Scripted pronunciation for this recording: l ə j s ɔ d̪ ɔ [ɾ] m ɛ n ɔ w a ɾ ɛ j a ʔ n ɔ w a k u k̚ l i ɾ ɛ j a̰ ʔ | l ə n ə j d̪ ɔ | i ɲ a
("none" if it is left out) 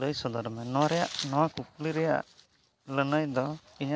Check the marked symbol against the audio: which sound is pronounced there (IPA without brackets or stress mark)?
ɾ